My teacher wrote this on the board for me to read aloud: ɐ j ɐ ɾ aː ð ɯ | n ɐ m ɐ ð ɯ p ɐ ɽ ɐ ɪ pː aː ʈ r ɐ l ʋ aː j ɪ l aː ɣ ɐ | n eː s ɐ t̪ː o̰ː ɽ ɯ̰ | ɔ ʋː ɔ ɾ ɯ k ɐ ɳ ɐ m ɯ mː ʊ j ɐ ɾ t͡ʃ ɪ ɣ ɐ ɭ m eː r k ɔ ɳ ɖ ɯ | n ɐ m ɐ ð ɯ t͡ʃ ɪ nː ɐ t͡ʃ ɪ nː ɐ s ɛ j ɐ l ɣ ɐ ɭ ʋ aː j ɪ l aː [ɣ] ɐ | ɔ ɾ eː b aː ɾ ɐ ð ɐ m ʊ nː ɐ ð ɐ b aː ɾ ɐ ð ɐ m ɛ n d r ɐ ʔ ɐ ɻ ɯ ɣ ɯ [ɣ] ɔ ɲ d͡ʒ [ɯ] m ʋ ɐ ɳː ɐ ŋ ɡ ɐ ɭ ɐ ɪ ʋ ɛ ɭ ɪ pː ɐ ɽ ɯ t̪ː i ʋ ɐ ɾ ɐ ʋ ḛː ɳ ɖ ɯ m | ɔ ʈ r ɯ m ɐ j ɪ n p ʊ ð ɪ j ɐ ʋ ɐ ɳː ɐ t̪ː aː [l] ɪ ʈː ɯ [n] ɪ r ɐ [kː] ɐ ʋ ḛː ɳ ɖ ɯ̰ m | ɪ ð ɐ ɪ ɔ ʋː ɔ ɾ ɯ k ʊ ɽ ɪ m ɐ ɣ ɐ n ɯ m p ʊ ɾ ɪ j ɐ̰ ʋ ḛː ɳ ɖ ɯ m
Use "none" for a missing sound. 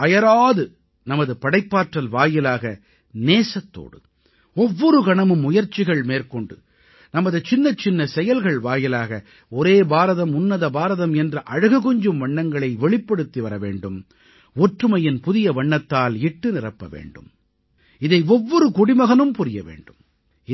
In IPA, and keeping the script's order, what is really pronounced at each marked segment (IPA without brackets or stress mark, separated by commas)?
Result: ɣ, ɣ, ɯ, l, n, pː